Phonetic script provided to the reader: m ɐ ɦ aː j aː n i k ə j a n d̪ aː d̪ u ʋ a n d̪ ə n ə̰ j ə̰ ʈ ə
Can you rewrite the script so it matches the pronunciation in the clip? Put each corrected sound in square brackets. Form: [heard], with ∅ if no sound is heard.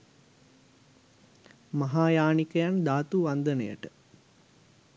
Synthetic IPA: m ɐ ɦ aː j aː n i k ə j a n d̪ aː [t̪] u ʋ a n d̪ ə n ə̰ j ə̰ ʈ ə